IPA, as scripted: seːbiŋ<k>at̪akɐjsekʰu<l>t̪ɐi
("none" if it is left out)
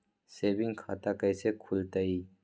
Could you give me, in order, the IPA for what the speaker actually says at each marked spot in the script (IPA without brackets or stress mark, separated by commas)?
kʰ, l